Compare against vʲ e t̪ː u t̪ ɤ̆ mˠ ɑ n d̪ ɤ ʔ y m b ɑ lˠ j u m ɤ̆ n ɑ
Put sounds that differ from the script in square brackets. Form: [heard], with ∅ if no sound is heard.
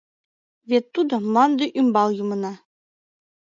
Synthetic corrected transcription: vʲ e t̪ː u [d̪] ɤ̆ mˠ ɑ n d̪ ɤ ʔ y m b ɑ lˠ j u m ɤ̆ n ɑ